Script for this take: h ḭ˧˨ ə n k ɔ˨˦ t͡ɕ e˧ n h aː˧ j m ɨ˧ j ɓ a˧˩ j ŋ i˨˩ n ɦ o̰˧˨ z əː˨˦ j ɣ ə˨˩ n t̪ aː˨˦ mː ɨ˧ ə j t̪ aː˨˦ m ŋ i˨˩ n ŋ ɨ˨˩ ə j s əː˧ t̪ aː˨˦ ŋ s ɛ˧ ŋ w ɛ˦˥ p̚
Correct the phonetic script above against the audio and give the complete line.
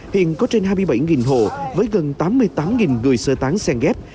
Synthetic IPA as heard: h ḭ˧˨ ə n k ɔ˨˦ t͡ɕ e˧ n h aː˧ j m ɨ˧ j ɓ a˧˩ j ŋ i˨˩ n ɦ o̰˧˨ v əː˨˦ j ɣ ə˨˩ n t̪ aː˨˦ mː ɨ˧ ə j t̪ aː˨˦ m ŋ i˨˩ n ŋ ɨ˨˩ ə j s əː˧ t̪ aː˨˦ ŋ s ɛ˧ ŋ ɣ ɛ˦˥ p̚